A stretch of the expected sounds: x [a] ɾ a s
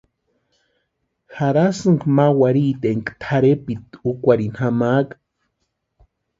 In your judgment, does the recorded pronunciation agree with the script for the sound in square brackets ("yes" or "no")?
yes